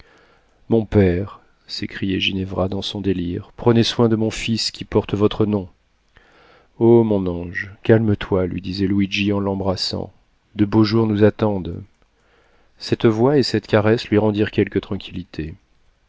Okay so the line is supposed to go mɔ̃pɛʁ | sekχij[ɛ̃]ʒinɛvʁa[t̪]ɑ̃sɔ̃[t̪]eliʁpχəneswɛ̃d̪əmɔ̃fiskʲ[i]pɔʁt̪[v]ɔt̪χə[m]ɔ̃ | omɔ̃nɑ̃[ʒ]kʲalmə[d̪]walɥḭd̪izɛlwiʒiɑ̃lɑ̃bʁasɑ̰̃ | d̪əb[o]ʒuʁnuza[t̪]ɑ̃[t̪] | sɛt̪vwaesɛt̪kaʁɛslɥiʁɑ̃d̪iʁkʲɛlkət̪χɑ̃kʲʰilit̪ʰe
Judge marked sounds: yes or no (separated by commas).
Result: no, no, no, yes, yes, no, yes, no, yes, yes, no